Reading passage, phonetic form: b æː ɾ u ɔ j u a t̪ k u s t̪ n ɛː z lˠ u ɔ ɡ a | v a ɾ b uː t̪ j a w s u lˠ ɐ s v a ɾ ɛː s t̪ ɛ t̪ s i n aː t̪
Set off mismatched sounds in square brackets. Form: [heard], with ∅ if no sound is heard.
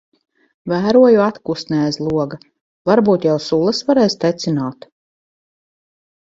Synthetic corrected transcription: [v] æː ɾ u ɔ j u a t̪ k u s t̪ n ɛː z lˠ u ɔ ɡ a | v a ɾ b uː t̪ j a w s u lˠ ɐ s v a ɾ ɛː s t̪ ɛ t̪ s i n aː t̪